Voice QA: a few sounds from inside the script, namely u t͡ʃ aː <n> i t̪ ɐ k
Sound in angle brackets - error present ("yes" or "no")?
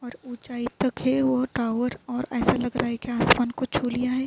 yes